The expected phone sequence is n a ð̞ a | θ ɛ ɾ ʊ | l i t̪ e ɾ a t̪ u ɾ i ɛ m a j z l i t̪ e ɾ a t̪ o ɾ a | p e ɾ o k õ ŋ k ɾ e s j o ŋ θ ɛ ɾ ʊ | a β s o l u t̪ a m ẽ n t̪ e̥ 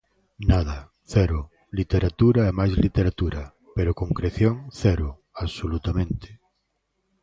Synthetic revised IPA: n a ð̞ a | θ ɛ ɾ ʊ | l i t̪ e ɾ a t̪ u ɾ a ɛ m a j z l i t̪ e ɾ a t̪ u ɾ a | p e ɾ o k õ ŋ k ɾ e θ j o ŋ θ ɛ ɾ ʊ | a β s o l u t̪ a m ẽ n t̪ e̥